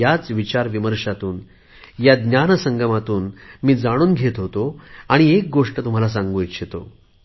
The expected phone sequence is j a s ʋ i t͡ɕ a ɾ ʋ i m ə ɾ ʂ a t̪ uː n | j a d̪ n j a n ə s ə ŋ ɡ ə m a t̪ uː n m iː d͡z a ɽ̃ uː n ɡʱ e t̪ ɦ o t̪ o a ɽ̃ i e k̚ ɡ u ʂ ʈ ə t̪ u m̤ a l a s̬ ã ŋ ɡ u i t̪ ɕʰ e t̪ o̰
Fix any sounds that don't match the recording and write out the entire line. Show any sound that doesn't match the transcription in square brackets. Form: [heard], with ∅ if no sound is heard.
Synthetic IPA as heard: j a [t͡s] ʋ i t͡ɕ a ɾ ʋ i m ə ɾ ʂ a t̪ uː n | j a d̪ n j a n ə s ə ŋ ɡ ə m a t̪ uː n m iː d͡z a ɽ̃ uː n ɡʱ e t̪ ɦ o t̪ o a ɽ̃ i e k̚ ɡ [o] ʂ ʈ ə t̪ u m̤ a l a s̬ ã ŋ ɡ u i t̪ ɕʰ e t̪ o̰

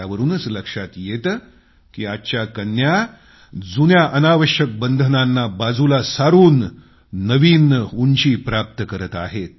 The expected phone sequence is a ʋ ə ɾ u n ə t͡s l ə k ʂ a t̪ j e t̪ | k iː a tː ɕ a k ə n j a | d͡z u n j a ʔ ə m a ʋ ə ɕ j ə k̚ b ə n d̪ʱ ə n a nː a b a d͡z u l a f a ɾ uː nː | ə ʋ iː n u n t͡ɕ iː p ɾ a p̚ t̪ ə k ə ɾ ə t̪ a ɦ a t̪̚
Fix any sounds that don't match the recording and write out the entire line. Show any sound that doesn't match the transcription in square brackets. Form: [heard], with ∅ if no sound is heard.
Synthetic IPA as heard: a ʋ ə ɾ [uː] n ə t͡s l ə k ʂ a t̪ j e t̪ | k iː a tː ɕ a k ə n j a | d͡z u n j a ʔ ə [n] a ʋ ə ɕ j ə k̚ b ə n d̪ʱ ə n a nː a b a d͡z u l a [s] a ɾ uː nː | ə ʋ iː n u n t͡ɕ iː p ɾ a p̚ t̪ ə k ə ɾ ə t̪ a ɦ [e] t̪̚

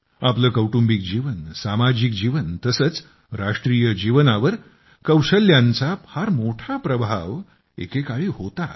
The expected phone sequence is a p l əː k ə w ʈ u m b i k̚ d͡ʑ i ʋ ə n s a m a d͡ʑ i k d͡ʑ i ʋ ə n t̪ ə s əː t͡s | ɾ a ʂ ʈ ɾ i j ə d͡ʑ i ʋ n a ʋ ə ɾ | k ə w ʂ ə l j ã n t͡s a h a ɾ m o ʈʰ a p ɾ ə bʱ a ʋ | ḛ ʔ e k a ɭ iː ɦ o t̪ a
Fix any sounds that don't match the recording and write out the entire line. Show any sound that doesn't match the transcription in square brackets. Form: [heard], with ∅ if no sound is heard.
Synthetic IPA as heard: a p l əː k ə w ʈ u m b i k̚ d͡ʑ i ʋ ə n s a m a d͡ʑ i k d͡ʑ i ʋ ə n t̪ ə s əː t͡s | ɾ a ʂ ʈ ɾ i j ə d͡ʑ i ʋ n a ʋ ə ɾ | k ə w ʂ ə l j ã n t͡s a h a ɾ m o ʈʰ a p ɾ ə bʱ a ʋ | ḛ [k] e k a ɭ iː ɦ o t̪ a

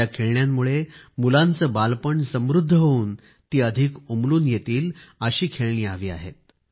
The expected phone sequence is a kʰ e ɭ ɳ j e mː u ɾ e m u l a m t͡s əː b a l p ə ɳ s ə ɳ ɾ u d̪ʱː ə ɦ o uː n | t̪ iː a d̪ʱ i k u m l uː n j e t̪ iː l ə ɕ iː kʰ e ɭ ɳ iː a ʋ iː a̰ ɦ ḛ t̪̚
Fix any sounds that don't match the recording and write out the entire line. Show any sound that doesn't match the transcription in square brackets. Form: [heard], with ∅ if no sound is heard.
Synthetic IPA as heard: a kʰ e ɭ ɳ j [a] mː u [ɭ] e m u l a [n] t͡s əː b a l p ə ɳ s ə [m] ɾ u d̪ʱː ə ɦ o uː n | t̪ iː [ə] d̪ʱ i k u m l uː n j e t̪ iː l ə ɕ iː kʰ e ɭ ɳ iː a ʋ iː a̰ ɦ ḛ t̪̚

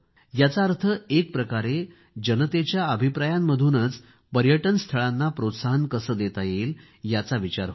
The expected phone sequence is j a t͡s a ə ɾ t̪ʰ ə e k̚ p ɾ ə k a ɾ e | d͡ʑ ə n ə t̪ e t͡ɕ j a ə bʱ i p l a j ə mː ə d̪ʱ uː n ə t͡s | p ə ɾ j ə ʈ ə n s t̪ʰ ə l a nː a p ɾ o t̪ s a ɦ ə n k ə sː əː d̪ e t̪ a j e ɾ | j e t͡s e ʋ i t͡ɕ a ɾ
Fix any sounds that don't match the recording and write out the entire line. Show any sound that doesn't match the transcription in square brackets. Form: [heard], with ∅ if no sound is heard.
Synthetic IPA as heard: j a t͡s a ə ɾ t̪ʰ ə e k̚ p ɾ ə k a ɾ e | d͡ʑ ə n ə t̪ e t͡ɕ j a ə bʱ i p [ɾ] a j [a] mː ə d̪ʱ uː n ə t͡s | p ə ɾ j ə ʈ ə n s t̪ʰ ə [ɭ] a nː a p ɾ o t̪ s a ɦ ə n k ə [s] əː d̪ e t̪ a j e [l] | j [a] t͡s [a] ʋ i t͡ɕ a ɾ

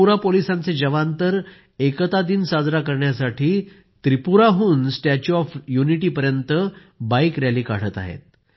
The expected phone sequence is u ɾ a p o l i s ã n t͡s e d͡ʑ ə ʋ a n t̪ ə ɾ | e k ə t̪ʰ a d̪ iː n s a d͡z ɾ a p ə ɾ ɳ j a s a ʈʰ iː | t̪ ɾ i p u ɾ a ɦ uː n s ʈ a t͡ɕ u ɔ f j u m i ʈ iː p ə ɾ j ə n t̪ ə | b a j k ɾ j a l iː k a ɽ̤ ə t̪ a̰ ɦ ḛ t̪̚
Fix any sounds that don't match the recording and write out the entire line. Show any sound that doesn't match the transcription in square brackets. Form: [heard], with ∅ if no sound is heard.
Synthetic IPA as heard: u ɾ a p o l i s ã n t͡s e d͡ʑ ə ʋ a n t̪ ə ɾ | e k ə [t̪] a d̪ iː n s a d͡z ɾ a [k] ə ɾ ɳ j a s a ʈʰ iː | t̪ ɾ i p u ɾ a ɦ uː n s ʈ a t͡ɕ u ɔ f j u [n] i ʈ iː p ə ɾ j ə n t̪ ə | b a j k ɾ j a l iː k a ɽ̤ ə t̪ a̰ ɦ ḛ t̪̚

